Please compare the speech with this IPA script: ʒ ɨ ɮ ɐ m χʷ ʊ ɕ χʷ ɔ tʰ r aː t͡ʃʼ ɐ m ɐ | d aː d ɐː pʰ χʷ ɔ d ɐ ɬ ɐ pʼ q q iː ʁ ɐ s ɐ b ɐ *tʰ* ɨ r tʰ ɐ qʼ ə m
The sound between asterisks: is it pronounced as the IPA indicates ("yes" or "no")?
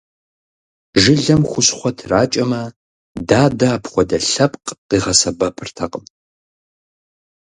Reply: no